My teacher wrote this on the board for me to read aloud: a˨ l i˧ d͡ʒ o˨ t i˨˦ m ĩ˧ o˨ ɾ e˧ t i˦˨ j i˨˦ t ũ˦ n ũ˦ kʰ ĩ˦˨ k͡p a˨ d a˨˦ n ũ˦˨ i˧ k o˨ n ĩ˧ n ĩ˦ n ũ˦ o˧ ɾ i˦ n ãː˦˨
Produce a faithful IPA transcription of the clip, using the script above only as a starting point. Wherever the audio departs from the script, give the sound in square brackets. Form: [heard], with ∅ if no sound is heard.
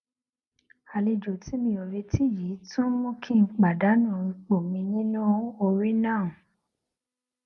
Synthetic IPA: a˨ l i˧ d͡ʒ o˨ t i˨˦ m ĩ˧ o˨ ɾ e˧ t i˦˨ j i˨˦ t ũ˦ [m] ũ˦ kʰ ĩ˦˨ k͡p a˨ d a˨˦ n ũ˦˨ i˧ [k͡p] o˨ [m] ĩ˧ n ĩ˦ n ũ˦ o˧ ɾ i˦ n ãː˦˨